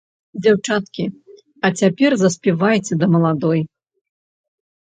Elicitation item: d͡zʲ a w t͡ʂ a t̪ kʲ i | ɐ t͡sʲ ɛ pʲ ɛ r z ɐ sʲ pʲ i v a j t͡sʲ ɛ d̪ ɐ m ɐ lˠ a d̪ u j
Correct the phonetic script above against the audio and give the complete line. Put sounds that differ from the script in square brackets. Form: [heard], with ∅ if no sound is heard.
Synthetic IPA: d͡zʲ a w t͡ʂ a t̪ kʲ i | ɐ t͡sʲ [a] pʲ ɛ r z ɐ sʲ pʲ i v a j t͡sʲ ɛ d̪ ɐ m ɐ lˠ a d̪ [ɔ] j